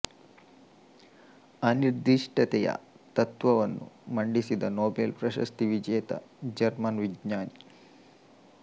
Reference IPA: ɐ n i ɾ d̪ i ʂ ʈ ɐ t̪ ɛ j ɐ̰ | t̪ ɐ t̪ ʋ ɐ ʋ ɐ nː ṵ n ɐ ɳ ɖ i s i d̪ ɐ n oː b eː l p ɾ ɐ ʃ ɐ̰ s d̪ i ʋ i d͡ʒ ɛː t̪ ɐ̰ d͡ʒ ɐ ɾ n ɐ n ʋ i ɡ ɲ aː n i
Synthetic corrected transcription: ɐ n i ɾ d̪ i ʂ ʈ ɐ t̪ ɛ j ɐ̰ | t̪ ɐ t̪ ʋ ɐ ʋ ɐ nː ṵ m ɐ ɳ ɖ i s i d̪ ɐ n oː b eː l p ɾ ɐ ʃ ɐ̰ s t̪ i ʋ i d͡ʒ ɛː t̪ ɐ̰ d͡ʒ ɐ ɾ m ɐ n ʋ i ɡ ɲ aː n i